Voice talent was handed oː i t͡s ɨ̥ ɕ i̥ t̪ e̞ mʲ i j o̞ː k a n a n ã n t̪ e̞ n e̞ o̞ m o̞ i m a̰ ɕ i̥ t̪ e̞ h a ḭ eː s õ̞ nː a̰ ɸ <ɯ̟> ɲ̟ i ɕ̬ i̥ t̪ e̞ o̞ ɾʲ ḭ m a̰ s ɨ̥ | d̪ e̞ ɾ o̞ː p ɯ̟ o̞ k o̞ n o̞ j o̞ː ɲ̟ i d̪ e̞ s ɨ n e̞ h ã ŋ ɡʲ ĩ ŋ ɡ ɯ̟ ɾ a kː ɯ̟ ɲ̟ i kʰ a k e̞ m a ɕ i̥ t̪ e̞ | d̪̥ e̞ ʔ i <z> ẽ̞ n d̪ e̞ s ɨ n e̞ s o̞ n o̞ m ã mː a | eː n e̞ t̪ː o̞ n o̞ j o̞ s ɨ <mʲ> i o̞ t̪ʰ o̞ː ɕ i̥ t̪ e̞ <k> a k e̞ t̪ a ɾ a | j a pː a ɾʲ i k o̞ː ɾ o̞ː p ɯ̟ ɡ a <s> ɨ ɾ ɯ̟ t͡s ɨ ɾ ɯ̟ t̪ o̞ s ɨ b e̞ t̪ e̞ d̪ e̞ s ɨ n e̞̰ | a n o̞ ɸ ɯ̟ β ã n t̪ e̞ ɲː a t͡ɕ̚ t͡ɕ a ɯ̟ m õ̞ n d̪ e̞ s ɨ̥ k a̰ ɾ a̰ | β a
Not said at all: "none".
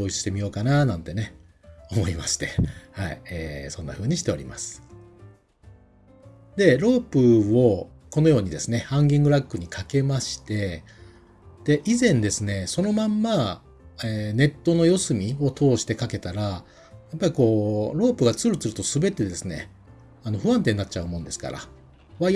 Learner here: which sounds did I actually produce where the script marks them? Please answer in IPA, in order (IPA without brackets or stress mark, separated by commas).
ɯ̟ː, z, mʲ, k, t͡s